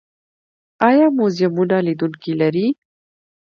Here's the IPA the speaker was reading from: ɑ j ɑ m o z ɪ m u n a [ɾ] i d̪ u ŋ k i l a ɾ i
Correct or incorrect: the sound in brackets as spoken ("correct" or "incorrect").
incorrect